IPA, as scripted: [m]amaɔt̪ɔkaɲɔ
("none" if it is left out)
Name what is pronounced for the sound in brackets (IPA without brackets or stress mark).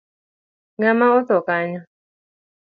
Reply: ŋ